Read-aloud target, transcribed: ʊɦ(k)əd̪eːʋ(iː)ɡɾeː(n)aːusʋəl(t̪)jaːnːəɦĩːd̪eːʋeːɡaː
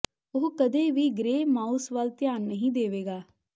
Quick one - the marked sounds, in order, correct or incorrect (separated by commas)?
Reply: correct, correct, incorrect, correct